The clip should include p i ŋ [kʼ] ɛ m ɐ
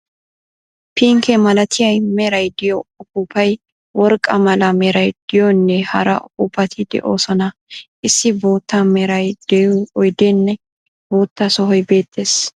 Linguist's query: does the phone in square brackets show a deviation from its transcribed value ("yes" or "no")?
yes